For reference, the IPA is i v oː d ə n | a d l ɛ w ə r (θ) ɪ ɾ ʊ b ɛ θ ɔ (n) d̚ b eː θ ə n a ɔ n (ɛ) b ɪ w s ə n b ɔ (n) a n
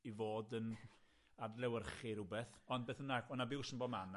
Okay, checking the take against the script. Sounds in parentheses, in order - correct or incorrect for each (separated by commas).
incorrect, correct, incorrect, incorrect